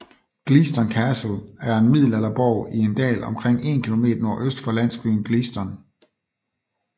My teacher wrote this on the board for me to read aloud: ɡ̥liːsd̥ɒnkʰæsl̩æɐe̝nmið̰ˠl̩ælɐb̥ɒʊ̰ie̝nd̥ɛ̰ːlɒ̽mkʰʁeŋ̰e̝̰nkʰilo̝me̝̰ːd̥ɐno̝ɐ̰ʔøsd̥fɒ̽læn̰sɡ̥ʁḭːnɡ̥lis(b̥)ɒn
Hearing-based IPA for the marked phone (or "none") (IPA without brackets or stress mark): d̥